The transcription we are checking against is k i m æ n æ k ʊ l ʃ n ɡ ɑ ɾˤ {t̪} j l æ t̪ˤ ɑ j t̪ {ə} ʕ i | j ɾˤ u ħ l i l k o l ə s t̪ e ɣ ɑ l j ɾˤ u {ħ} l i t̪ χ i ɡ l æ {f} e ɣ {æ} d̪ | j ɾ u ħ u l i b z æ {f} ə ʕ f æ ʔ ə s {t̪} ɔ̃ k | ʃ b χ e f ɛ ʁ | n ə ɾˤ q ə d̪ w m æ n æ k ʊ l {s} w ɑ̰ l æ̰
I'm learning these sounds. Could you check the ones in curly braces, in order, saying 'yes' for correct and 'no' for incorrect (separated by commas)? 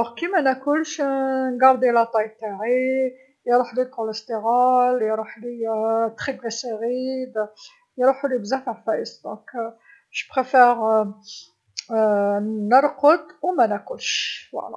no, no, yes, no, no, yes, no, no